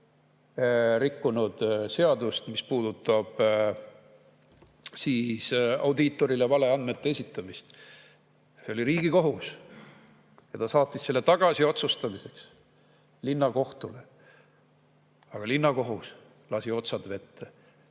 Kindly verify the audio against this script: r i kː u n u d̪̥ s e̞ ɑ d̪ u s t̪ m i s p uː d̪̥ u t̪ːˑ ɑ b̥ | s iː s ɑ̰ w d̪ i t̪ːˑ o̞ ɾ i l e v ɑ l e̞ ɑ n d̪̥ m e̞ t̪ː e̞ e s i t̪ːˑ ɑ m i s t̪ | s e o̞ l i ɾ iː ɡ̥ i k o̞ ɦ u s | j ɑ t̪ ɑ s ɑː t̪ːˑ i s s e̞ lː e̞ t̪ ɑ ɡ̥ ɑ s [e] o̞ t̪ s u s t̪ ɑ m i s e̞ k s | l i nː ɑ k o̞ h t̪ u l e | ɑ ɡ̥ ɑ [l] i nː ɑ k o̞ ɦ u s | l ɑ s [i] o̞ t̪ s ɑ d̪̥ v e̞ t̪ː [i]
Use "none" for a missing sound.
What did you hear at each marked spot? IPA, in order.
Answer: i, l, i, e

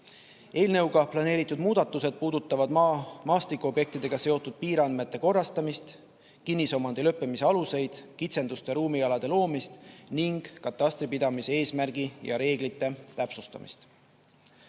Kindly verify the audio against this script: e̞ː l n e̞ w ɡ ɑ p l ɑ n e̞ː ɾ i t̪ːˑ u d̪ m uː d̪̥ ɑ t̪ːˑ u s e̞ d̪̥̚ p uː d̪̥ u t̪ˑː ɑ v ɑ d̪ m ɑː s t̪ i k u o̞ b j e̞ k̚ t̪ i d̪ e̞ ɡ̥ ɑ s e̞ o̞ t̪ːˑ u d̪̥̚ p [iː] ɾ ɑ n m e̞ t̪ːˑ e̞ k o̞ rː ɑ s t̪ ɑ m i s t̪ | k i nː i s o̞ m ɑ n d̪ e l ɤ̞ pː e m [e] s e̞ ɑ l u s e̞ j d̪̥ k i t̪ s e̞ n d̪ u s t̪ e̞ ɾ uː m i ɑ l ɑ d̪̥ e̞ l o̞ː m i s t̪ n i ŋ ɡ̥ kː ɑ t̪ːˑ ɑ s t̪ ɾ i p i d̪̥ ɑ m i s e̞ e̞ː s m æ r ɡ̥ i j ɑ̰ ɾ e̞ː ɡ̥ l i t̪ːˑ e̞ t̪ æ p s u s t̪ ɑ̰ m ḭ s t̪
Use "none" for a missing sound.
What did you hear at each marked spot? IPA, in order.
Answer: iː, i

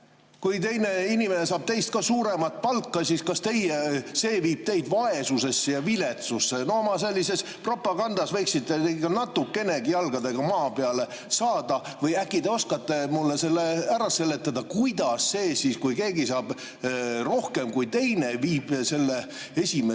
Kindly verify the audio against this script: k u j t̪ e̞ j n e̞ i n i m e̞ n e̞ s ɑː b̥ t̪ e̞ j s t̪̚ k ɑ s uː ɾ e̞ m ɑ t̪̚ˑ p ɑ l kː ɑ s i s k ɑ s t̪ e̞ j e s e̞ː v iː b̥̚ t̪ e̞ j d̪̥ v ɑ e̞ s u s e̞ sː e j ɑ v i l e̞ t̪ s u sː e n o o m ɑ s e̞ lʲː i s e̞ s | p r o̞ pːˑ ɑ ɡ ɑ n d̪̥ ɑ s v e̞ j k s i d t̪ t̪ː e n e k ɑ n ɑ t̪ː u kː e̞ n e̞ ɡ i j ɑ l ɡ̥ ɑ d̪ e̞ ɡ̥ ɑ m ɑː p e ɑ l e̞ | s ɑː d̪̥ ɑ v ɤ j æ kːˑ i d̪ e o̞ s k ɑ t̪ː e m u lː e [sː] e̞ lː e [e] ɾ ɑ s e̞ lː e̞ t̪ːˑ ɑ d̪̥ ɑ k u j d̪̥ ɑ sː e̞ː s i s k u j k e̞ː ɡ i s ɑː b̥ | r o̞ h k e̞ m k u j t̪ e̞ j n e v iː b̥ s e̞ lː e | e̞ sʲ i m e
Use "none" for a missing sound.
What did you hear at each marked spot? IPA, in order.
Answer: s, æ

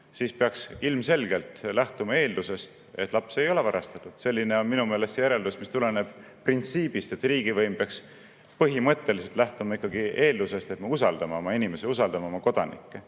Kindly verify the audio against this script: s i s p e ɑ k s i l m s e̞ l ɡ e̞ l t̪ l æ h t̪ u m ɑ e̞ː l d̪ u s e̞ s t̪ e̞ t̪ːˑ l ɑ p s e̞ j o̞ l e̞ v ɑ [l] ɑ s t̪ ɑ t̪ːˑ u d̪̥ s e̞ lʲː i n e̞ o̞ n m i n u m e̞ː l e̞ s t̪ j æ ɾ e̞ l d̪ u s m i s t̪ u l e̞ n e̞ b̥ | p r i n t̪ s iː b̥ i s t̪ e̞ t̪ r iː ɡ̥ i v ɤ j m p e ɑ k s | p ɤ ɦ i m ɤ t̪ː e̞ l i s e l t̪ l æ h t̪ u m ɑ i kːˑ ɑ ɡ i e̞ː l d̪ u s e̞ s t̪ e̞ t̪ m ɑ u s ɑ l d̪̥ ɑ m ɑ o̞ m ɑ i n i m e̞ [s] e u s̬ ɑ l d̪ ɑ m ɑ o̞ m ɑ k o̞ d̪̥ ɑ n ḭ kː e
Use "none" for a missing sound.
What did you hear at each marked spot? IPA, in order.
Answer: ɾ, s

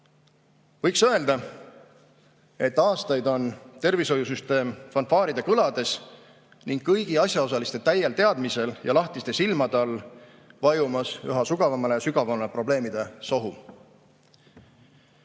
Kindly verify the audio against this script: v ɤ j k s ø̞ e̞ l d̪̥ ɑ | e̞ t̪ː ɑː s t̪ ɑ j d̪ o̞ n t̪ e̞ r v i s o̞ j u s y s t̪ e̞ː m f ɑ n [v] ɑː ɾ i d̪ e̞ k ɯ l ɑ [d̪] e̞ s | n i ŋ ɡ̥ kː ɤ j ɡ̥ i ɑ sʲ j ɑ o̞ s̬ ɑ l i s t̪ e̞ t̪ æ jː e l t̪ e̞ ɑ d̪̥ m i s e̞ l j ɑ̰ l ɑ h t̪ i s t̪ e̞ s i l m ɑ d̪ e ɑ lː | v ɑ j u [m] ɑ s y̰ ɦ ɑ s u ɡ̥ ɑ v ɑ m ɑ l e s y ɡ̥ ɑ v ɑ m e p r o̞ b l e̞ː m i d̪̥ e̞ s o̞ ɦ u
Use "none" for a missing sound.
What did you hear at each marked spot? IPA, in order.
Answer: f, d̪, m

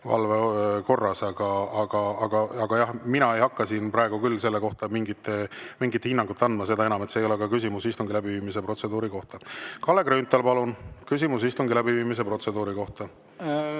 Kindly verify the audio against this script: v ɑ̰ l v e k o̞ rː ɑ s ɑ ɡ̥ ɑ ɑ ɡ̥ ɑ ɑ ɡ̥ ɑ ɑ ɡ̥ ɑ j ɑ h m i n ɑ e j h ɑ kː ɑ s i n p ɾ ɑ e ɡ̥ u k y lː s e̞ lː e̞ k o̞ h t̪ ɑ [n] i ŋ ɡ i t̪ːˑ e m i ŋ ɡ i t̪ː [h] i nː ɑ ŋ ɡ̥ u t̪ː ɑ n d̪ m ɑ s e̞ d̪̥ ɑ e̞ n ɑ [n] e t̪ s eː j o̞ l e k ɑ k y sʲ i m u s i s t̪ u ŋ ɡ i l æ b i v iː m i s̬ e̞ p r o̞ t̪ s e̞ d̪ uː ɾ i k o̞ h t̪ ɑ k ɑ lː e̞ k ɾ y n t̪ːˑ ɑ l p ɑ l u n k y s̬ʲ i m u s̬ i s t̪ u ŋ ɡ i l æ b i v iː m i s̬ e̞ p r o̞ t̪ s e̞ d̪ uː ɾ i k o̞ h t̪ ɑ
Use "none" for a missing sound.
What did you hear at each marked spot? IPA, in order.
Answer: m, h, m

